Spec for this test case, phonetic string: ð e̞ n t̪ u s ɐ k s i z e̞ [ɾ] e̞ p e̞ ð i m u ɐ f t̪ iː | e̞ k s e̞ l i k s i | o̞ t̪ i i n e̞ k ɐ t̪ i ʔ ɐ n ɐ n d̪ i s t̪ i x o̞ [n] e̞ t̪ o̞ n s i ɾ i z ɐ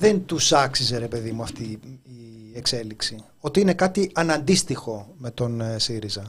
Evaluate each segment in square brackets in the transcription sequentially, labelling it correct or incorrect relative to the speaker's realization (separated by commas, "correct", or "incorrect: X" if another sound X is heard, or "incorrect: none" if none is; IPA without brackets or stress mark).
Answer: correct, incorrect: m